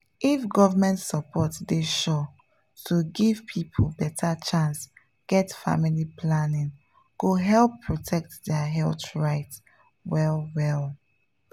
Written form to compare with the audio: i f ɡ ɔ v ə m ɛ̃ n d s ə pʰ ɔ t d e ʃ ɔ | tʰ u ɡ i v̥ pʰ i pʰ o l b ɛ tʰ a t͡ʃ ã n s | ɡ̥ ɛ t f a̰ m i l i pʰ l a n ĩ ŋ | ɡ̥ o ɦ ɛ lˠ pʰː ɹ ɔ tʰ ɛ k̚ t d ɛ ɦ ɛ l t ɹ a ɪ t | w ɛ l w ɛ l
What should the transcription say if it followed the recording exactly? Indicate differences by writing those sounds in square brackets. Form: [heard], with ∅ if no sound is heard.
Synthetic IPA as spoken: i f ɡ ɔ v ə m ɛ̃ n [t] s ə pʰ ɔ t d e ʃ ɔ | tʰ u ɡ i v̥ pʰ i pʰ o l b ɛ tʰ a t͡ʃ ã n s | ɡ̥ ɛ t f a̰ m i l i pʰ l a n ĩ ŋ | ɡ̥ o ɦ ɛ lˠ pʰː ɹ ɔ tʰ ɛ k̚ t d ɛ ɦ ɛ l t ɹ a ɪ t | w ɛ l w ɛ l